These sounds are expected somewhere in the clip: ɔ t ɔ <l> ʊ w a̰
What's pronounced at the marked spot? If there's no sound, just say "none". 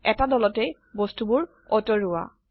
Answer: ɹ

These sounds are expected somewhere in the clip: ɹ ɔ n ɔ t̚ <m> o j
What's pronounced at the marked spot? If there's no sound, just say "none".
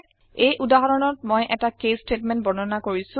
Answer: m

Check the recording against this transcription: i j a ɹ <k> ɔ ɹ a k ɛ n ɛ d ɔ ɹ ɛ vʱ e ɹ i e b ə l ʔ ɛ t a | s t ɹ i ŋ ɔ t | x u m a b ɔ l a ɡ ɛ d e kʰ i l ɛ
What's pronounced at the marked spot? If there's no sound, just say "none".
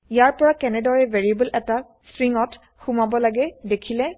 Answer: p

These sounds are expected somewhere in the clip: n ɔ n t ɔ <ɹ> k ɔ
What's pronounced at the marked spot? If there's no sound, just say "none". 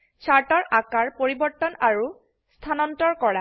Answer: ɹ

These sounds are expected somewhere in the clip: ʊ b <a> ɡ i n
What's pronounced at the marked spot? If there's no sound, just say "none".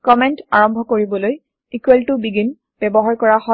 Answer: i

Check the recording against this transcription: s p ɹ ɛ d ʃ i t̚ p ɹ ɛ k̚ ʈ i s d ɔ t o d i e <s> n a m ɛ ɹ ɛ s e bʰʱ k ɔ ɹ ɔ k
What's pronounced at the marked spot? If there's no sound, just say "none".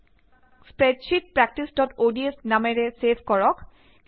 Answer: s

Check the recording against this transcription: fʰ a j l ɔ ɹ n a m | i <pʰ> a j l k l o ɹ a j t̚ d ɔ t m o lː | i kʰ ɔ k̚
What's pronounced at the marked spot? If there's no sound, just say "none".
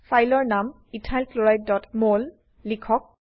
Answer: tʰ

